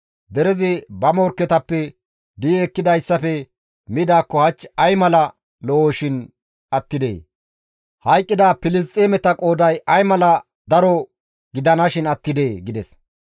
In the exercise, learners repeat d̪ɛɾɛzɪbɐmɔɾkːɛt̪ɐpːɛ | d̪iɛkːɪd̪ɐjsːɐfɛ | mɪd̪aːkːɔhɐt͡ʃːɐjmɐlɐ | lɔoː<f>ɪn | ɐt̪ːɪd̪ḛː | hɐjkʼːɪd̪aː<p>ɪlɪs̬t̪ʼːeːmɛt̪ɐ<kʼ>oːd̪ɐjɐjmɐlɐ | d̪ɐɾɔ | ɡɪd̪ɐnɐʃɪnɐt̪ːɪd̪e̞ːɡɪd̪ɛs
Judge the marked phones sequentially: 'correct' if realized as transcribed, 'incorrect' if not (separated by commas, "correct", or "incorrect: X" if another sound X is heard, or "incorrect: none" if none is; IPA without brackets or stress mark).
incorrect: ʃ, correct, correct